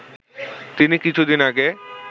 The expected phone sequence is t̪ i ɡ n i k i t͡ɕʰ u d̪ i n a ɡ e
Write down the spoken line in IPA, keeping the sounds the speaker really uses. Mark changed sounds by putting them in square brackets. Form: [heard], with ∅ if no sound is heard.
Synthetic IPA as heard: t̪ i [∅] n i k i t͡ɕʰ u d̪ i n a ɡ e